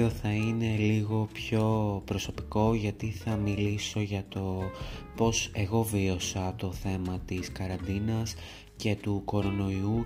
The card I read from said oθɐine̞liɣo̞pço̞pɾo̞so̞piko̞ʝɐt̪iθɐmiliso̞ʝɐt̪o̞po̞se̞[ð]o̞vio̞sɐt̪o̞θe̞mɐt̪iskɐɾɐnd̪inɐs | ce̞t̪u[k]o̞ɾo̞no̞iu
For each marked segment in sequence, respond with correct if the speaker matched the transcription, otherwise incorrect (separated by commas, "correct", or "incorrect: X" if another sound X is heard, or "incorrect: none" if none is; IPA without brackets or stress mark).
incorrect: ɣ, correct